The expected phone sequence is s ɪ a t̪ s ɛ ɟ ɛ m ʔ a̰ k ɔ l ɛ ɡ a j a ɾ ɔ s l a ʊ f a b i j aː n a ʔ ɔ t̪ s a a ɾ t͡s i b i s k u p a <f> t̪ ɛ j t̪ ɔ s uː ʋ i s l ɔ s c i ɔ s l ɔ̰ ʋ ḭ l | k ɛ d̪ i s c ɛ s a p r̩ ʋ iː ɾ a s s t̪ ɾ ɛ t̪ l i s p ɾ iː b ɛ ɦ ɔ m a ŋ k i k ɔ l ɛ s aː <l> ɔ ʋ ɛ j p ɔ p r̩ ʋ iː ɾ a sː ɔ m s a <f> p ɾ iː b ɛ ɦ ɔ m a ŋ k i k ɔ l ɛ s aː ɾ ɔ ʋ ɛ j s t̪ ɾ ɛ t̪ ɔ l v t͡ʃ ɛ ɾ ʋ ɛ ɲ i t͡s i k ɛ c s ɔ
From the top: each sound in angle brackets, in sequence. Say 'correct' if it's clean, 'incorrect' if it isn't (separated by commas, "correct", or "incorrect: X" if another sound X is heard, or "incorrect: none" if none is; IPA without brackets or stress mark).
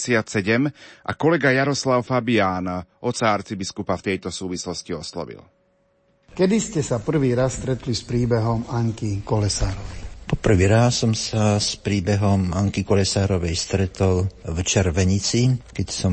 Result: correct, incorrect: ɾ, incorrect: s